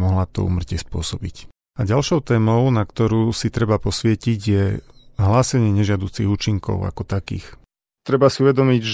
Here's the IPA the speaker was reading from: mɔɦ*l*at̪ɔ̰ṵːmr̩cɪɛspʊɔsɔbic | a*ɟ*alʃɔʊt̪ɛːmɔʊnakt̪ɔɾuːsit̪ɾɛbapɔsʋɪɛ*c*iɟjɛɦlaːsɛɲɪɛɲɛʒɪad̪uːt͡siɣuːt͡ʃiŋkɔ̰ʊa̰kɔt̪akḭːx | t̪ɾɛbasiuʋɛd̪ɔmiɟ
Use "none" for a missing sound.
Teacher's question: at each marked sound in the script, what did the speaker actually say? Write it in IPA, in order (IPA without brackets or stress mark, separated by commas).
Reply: l, ɟ, c